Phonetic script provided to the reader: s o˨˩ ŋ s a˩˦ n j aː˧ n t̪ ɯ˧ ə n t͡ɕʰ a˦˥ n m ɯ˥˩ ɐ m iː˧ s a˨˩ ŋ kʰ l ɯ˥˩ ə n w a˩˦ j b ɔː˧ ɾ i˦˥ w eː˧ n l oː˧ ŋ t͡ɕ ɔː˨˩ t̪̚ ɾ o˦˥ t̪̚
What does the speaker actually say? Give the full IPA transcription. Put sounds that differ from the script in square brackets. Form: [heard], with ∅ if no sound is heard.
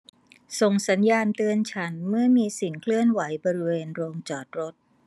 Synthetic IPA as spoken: s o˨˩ ŋ s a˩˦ n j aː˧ n t̪ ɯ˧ ə n t͡ɕʰ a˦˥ n m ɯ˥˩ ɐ m iː˧ s [i˨˩] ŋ kʰ l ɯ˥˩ ə n w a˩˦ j b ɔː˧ ɾ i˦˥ w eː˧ n [ɾ] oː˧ ŋ t͡ɕ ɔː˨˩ t̪̚ ɾ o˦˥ t̪̚